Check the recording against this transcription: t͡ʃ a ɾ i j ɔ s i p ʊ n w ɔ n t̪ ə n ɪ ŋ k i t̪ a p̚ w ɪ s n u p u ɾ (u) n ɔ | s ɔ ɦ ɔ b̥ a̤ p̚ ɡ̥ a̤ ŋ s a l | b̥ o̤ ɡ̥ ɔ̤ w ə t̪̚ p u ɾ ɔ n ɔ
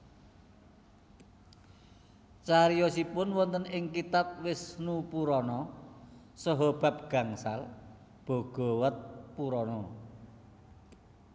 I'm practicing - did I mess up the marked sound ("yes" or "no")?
yes